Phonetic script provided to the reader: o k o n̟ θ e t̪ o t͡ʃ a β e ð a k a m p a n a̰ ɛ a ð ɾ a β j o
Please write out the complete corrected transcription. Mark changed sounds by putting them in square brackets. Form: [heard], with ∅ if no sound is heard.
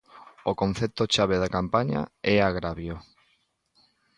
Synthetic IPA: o k o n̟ θ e t̪ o t͡ʃ a β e ð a k a m p a [ɲ] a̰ ɛ a [ɣ] ɾ a β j o